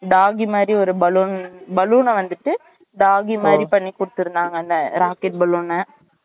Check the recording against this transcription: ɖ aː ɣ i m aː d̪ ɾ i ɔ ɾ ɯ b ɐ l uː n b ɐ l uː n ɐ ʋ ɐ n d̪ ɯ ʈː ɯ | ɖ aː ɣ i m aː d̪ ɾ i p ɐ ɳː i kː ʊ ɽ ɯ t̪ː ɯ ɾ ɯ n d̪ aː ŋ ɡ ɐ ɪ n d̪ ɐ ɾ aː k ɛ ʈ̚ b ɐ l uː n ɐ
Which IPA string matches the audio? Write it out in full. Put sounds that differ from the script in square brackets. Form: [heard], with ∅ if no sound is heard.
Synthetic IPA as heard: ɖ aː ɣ i m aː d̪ ɾ i ɔ ɾ ɯ b ɐ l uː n b ɐ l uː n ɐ ʋ ɐ n d̪ ɯ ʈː ɯ | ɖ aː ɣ i m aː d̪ ɾ i p ɐ ɳː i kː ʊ ɽ ɯ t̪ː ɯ ɾ ɯ n d̪ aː ŋ ɡ ɐ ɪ n d̪ ɐ ɾ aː k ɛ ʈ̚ b ɐ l uː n ɐ